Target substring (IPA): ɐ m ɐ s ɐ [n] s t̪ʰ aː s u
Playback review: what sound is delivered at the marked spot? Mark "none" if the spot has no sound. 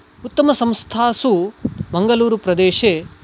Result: m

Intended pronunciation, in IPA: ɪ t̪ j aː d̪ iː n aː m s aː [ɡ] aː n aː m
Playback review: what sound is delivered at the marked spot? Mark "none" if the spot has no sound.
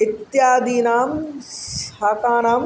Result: k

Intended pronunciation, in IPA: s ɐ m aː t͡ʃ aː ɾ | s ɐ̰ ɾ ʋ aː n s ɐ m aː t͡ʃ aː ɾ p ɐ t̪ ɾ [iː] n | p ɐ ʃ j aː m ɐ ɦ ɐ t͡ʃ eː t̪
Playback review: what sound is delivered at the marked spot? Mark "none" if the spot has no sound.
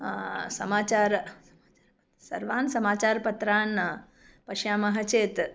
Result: aː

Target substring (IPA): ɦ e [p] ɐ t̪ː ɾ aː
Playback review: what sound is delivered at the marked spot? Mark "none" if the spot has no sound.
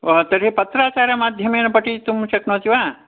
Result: p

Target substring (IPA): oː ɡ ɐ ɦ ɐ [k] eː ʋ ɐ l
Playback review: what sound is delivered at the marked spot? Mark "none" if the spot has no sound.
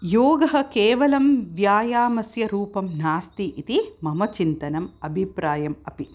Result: k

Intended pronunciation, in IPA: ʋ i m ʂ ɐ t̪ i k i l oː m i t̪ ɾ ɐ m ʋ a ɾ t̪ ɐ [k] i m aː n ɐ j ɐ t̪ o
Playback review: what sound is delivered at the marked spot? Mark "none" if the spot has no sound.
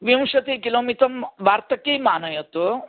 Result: k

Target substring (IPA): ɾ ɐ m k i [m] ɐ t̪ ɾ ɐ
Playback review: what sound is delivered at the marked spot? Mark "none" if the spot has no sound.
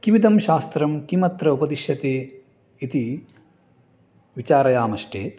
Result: m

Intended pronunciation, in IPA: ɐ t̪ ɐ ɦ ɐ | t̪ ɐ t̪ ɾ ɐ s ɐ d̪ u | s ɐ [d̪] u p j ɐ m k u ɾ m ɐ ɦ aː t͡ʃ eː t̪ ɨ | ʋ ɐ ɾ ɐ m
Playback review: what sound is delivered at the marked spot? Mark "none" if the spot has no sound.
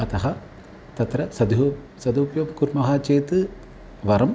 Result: d̪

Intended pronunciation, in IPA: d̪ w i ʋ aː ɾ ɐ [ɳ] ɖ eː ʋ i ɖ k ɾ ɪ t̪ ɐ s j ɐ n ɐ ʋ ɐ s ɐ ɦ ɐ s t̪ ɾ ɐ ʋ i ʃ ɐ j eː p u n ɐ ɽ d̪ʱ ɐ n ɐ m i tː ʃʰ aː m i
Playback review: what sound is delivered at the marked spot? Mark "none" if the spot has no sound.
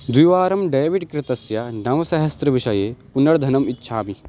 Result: m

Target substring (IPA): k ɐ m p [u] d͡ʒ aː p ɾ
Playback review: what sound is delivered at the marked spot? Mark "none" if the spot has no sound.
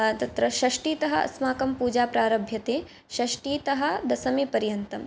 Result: uː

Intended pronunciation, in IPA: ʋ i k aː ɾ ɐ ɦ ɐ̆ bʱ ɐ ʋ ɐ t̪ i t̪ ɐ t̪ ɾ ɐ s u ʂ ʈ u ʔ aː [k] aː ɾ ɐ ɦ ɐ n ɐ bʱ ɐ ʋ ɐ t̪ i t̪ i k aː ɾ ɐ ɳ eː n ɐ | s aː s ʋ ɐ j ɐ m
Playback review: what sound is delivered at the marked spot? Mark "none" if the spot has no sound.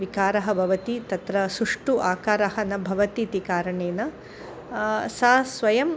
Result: k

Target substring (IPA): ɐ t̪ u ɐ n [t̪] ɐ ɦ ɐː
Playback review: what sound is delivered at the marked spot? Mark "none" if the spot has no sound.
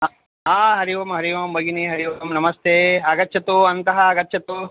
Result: t̪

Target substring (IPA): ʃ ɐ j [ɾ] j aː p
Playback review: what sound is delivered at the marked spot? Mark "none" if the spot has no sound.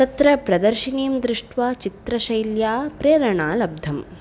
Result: l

